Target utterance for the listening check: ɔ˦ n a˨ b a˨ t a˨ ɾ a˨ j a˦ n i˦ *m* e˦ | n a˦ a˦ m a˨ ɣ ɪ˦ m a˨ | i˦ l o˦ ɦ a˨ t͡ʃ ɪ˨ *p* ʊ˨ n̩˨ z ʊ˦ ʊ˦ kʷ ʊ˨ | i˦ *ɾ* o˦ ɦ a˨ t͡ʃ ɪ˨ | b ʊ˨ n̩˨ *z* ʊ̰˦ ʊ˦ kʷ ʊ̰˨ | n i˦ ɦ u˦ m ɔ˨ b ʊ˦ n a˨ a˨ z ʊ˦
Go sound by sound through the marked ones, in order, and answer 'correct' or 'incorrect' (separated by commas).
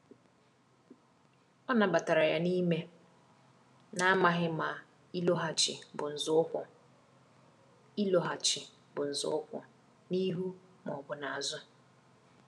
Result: correct, incorrect, incorrect, correct